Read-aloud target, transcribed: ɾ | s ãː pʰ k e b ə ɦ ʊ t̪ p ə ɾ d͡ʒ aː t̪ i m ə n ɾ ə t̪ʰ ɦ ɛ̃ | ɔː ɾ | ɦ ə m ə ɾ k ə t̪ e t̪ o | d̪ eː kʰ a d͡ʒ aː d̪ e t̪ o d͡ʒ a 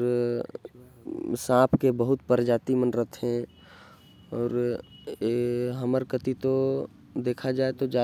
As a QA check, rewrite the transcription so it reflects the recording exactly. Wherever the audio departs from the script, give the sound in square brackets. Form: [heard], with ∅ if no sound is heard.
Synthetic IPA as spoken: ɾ | s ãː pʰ k e b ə ɦ ʊ t̪ p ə ɾ d͡ʒ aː t̪ i m ə n ɾ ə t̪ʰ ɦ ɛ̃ | ɔː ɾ | ɦ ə m ə ɾ k ə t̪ [i] t̪ o | d̪ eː kʰ a d͡ʒ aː [∅] e t̪ o d͡ʒ a